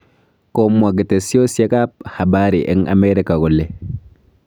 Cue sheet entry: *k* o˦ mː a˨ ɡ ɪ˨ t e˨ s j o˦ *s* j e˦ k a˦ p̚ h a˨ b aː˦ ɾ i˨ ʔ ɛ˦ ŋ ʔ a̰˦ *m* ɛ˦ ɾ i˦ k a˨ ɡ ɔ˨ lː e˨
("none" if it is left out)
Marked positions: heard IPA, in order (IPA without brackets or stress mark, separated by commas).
k, s, m